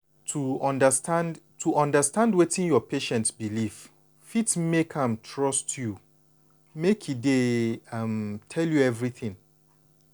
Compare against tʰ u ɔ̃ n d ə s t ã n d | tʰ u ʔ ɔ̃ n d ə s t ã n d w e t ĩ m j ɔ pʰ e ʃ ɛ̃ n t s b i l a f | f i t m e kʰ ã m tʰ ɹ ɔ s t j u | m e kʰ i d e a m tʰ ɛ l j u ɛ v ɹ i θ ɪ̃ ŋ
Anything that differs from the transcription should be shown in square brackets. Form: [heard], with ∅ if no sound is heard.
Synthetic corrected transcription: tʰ u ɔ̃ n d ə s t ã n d | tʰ u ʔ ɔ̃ n d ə s t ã n d w e t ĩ [n] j ɔ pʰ e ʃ ɛ̃ n t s b i l [i] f | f i t m e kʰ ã m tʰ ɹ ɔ s t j u | m e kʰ i d e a m tʰ ɛ l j u ɛ v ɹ i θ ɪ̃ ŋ